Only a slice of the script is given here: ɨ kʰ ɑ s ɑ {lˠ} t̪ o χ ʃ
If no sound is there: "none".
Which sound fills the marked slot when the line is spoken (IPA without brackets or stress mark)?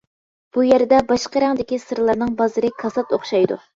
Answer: none